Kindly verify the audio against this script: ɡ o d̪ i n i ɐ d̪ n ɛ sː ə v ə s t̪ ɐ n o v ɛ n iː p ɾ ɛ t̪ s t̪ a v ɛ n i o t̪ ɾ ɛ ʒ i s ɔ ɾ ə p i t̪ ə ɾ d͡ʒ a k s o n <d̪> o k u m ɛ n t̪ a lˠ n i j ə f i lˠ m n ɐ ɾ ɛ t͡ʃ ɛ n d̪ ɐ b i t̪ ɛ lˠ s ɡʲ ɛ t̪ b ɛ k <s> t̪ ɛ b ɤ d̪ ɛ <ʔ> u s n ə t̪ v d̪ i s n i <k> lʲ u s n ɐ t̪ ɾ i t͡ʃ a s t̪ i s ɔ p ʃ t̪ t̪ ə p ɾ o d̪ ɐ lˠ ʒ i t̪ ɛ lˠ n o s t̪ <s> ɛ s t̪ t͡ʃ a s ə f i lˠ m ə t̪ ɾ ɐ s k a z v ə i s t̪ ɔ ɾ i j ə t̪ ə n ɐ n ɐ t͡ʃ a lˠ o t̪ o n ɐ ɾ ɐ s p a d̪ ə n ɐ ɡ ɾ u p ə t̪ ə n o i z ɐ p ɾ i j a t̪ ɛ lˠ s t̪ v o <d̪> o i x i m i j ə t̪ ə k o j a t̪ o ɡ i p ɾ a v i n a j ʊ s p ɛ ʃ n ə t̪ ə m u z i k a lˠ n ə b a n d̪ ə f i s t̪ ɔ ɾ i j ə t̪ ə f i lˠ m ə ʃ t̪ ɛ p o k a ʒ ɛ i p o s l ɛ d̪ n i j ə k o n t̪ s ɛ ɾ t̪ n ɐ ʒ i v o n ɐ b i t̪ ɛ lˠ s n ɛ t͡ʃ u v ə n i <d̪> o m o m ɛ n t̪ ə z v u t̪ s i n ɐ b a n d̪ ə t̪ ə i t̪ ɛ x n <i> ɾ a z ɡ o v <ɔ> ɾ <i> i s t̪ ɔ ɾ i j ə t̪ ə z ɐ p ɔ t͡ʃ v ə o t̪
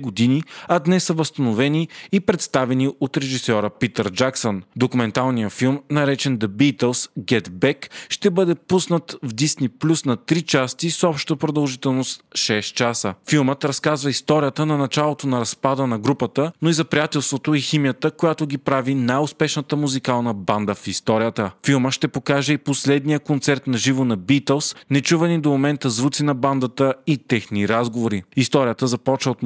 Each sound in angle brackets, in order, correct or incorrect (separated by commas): correct, incorrect, incorrect, incorrect, incorrect, incorrect, correct, correct, incorrect, correct